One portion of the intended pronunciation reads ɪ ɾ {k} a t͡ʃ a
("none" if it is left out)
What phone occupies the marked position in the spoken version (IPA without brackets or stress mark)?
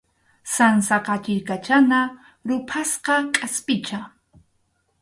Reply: k